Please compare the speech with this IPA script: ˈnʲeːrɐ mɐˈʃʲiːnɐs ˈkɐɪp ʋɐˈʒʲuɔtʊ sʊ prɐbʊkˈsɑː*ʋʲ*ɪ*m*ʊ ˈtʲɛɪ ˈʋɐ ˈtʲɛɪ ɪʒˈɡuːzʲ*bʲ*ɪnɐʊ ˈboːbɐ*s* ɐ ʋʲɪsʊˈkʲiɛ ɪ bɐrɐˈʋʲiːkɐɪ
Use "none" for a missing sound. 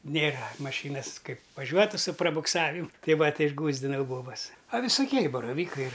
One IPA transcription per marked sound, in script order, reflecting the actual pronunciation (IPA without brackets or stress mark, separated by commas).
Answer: ʋʲ, m, dʲ, s